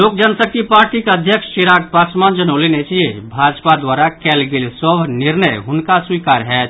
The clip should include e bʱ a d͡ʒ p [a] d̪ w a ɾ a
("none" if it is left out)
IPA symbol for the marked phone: a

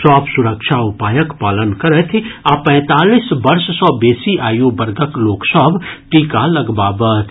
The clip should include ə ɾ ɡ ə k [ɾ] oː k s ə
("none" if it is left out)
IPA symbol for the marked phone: l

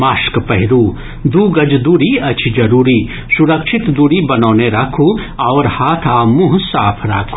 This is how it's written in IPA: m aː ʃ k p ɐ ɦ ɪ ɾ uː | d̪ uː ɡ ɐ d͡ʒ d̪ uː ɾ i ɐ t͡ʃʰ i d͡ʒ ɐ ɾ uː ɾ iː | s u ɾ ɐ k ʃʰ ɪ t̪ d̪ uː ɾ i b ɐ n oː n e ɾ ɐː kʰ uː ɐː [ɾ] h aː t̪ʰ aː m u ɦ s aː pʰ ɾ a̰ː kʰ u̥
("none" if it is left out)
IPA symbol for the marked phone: ɾ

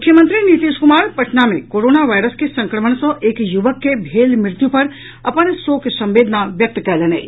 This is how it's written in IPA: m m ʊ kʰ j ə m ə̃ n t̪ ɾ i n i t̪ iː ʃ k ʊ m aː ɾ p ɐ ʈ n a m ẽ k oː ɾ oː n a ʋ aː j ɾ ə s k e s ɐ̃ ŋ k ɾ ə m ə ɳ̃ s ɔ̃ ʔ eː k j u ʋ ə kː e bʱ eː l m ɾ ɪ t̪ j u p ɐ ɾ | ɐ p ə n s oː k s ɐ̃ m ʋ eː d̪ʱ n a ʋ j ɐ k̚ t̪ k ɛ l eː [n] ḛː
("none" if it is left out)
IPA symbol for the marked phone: n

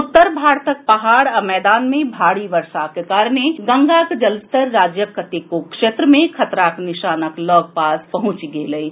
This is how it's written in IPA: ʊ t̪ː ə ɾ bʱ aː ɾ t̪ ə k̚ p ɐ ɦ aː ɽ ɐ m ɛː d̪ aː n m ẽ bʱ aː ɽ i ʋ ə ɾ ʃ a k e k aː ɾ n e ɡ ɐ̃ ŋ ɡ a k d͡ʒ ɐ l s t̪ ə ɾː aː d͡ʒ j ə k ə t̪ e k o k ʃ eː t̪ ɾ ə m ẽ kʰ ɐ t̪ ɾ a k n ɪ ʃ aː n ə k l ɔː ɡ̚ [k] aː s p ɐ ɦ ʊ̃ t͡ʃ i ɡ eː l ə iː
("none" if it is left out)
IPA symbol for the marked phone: p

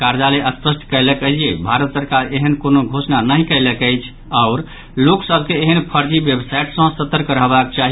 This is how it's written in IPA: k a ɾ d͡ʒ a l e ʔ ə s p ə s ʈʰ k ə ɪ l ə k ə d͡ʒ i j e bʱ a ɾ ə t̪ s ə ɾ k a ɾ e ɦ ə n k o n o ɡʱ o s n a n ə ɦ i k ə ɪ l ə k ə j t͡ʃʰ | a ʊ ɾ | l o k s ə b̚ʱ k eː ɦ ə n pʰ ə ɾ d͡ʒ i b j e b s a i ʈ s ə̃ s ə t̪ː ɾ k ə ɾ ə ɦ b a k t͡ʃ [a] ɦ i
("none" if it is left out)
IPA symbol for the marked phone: a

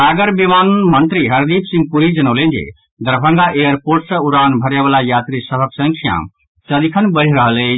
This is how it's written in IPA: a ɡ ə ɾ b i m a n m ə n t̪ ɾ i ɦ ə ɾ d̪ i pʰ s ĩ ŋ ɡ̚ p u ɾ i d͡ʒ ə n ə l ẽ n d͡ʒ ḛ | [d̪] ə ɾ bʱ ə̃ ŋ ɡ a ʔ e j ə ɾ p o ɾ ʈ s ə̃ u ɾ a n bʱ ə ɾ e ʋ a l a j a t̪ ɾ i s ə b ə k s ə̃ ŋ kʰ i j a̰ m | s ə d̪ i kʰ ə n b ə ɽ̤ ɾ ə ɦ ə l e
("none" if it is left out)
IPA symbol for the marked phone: d̪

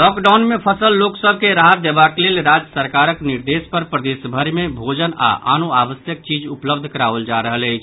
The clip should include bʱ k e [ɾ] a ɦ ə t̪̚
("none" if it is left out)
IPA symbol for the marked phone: ɾ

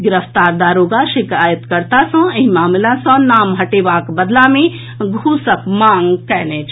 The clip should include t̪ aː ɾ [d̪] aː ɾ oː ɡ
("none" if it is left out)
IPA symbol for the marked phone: d̪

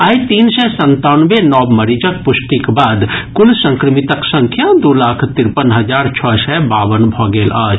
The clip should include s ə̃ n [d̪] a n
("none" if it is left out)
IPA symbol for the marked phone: t̪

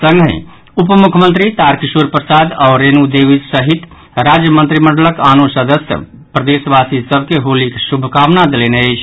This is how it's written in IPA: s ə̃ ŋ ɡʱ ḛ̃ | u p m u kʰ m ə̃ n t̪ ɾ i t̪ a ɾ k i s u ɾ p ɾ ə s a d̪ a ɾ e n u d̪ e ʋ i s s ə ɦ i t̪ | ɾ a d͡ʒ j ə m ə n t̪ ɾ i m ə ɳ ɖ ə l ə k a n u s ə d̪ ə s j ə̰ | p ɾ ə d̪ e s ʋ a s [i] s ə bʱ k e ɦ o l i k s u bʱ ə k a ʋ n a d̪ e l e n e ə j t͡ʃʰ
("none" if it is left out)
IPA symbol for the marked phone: i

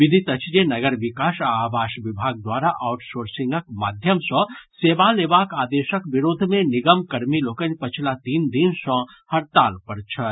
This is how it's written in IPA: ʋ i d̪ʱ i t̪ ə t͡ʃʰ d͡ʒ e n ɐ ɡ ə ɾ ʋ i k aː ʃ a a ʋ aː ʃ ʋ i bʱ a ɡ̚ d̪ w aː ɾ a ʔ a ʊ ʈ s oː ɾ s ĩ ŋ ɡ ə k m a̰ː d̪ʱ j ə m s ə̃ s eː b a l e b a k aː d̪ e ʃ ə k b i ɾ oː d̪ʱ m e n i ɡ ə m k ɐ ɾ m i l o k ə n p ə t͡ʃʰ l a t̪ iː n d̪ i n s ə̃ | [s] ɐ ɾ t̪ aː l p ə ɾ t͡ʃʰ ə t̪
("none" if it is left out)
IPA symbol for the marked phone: h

